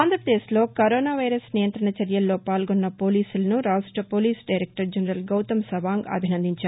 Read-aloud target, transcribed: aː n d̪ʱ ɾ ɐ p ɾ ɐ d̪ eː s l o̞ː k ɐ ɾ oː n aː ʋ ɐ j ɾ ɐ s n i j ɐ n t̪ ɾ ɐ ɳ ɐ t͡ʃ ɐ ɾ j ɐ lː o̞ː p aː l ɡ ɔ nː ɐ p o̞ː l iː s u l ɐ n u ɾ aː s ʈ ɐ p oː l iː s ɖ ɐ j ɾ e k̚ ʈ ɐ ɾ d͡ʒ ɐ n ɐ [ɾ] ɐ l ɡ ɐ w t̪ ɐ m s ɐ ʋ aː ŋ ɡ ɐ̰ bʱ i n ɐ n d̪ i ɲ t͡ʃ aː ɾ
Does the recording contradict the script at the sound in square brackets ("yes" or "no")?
no